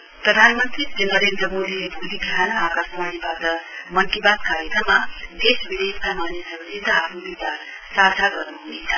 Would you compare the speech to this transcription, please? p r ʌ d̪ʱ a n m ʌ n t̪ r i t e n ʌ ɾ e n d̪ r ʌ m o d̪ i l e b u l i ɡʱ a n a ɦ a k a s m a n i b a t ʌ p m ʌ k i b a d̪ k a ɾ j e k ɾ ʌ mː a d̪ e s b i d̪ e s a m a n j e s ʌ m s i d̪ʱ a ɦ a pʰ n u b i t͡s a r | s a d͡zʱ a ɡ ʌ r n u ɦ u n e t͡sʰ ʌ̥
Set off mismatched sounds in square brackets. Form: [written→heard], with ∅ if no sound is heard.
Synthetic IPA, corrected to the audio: p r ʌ d̪ʱ a n m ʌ n t̪ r i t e n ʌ ɾ e n d̪ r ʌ m o d̪ i l e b u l i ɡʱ a n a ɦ a k a s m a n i b a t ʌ [p→∅] m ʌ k i b a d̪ k a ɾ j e k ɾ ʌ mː a d̪ e s b i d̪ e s a m a n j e s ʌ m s i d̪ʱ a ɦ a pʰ n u b i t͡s a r | s a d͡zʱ a ɡ ʌ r n u ɦ u n e t͡sʰ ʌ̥